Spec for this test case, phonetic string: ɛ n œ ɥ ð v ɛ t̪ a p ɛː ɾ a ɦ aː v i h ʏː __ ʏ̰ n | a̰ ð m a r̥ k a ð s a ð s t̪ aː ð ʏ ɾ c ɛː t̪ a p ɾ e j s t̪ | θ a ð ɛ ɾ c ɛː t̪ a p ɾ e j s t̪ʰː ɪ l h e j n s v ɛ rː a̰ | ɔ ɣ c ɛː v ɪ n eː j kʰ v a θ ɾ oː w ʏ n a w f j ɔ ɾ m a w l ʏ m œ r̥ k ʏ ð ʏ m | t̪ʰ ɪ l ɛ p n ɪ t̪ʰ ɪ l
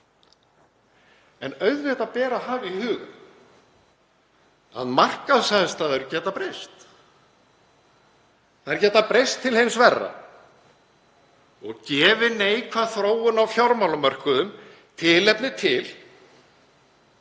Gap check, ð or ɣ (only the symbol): ɣ